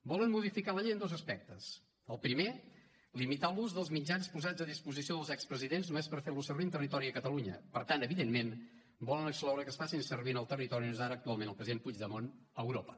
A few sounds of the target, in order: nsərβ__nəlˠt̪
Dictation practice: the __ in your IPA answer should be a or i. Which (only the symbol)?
i